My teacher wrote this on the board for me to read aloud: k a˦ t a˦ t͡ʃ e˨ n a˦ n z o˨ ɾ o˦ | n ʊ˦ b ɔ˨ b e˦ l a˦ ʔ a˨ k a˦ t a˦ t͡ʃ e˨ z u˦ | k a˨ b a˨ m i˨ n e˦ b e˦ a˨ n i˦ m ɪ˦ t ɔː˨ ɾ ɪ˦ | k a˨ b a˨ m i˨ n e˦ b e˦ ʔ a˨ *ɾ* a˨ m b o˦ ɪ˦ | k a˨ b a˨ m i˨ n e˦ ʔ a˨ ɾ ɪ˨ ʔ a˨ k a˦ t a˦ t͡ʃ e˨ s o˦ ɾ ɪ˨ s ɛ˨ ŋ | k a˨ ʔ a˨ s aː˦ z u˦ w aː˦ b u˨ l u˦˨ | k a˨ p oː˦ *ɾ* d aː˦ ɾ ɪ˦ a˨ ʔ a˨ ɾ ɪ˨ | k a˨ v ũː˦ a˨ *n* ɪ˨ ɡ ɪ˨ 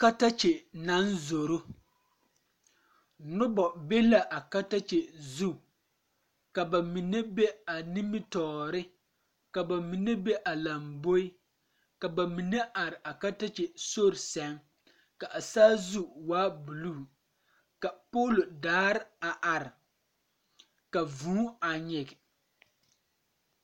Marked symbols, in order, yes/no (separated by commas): no, no, no